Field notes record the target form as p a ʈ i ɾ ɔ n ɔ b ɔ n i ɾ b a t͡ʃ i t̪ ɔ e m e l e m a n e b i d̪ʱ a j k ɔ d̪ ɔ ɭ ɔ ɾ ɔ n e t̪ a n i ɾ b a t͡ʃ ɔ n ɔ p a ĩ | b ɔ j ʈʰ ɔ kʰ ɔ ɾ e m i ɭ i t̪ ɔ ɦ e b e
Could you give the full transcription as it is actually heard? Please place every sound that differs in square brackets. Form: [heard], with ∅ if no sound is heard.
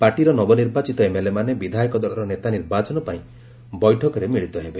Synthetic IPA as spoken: p a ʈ i ɾ ɔ n ɔ b ɔ n i ɾ b a t͡ʃ i t̪ ɔ e m e l e m a n e b i d̪ʱ a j k ɔ d̪ ɔ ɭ ɔ ɾ ɔ n e t̪ a n i ɾ b a t͡ʃ ɔ n ɔ p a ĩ | b ɔ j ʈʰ ɔ [k] ɔ ɾ e m i ɭ i t̪ ɔ ɦ e b e